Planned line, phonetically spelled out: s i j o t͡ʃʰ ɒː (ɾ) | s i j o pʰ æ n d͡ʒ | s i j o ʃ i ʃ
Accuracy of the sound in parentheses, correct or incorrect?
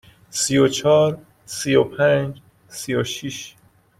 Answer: correct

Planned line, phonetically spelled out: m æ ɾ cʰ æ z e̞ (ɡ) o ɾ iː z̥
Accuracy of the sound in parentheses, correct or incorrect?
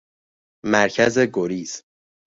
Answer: correct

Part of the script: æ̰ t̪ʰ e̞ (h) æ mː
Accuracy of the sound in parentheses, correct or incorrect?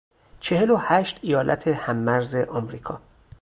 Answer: correct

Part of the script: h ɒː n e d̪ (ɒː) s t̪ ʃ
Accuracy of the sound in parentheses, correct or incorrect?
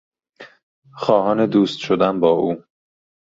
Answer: incorrect: uː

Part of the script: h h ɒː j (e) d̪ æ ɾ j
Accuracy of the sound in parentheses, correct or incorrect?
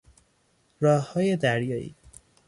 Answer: correct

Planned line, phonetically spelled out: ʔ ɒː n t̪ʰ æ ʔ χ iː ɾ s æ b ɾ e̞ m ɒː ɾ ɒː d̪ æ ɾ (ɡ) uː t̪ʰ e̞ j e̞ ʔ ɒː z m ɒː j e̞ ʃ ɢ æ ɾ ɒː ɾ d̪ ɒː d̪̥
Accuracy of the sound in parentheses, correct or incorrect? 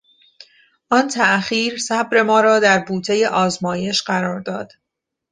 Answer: incorrect: b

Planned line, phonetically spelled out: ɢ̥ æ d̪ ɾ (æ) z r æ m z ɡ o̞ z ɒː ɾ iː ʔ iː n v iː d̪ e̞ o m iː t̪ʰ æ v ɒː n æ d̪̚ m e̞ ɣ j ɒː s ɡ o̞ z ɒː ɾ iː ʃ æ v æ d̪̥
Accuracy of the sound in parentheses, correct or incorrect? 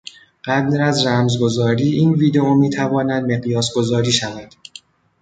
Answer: correct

